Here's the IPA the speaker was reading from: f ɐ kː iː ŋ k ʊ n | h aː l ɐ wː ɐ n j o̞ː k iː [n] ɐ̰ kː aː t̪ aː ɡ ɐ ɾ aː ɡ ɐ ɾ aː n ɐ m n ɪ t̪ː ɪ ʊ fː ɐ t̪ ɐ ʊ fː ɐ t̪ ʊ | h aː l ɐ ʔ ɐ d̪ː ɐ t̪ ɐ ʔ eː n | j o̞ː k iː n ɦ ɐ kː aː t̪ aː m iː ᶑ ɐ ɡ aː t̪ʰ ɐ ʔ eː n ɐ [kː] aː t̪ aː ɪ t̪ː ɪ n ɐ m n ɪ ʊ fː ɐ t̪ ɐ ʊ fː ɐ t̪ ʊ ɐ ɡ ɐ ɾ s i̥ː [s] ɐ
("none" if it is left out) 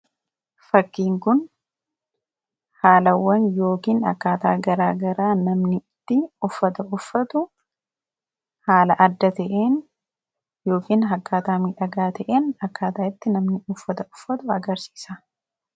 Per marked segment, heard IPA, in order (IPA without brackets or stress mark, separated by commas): n, kː, s